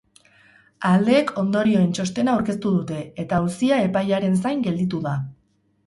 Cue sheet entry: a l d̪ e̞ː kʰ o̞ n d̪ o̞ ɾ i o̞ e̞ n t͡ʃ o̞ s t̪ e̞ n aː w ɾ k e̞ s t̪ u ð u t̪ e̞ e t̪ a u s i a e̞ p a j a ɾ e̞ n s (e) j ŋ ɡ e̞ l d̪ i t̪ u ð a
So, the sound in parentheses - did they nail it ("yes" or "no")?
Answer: no